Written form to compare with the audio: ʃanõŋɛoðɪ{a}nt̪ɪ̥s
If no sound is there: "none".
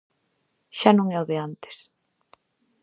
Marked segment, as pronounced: a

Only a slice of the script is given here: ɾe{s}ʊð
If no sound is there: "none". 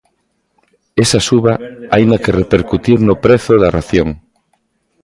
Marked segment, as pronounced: θ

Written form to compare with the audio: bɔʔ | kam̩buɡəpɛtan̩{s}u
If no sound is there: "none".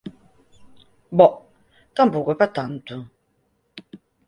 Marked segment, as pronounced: t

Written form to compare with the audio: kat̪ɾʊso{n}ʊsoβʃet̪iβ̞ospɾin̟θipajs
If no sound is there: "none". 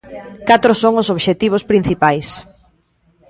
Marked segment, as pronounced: ŋ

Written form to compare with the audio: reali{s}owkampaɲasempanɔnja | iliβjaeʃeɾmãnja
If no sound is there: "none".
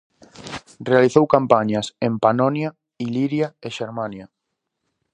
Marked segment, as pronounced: θ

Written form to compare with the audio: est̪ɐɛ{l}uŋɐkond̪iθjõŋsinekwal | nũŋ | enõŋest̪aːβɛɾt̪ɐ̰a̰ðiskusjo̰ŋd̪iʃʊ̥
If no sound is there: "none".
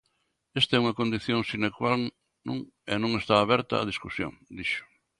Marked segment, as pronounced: none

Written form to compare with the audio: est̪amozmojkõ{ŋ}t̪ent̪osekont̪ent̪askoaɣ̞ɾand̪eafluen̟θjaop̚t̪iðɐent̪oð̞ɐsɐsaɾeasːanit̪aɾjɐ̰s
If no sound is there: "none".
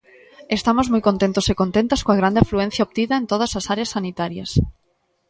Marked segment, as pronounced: n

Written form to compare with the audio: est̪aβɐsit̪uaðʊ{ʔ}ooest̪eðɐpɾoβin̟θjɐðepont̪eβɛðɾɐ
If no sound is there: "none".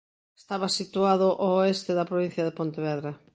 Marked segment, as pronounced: ʔ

